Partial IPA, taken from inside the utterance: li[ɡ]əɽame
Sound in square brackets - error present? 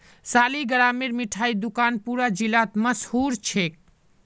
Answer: no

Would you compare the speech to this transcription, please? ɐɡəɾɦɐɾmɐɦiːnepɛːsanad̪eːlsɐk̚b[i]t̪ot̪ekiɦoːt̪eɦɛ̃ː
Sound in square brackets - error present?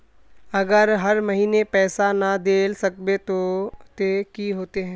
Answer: yes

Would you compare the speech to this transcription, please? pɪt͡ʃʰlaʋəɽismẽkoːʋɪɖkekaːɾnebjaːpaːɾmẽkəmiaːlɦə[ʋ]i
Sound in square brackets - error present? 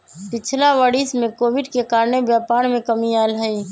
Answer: yes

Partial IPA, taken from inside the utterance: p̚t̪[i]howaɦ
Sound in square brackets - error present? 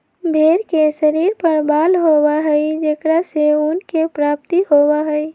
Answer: no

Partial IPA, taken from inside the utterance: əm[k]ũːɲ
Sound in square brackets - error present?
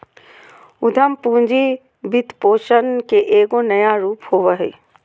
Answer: yes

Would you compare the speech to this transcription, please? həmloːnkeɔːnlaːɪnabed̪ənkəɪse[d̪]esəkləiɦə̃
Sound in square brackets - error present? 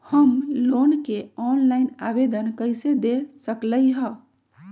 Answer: no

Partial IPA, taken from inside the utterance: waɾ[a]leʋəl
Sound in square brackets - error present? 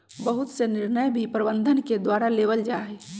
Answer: no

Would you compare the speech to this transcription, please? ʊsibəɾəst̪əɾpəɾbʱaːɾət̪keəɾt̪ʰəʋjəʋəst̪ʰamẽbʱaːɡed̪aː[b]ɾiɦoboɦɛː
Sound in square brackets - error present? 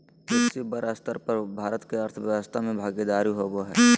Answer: yes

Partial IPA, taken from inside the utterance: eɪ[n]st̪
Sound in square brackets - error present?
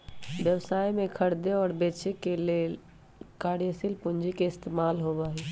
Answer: yes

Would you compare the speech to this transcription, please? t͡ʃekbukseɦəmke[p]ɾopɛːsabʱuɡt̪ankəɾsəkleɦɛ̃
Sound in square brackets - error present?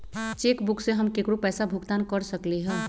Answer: yes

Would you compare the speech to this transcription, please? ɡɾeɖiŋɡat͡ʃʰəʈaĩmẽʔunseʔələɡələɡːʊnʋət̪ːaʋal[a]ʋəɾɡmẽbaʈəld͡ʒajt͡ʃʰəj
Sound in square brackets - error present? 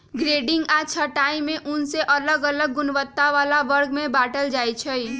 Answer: no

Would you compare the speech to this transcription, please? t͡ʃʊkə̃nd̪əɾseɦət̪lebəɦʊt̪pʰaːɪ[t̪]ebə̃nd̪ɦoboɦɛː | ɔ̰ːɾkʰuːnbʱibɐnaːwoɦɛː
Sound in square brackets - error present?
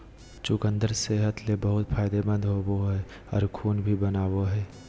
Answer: yes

